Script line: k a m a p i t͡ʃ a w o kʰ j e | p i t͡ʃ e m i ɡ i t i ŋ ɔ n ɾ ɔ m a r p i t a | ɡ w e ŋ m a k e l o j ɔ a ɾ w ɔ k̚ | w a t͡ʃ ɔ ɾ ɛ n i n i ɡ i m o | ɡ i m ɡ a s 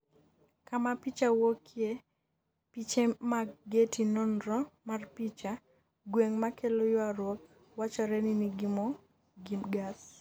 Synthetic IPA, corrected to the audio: k a m a p i t͡ʃ a w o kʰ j e | p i t͡ʃ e m a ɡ e t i n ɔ n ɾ ɔ m a r p i t͡ʃ a | ɡ w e ŋ m a k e l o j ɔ a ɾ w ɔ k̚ | w a t͡ʃ ɔ ɾ ɛ n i n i ɡ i m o | ɡ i m ɡ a s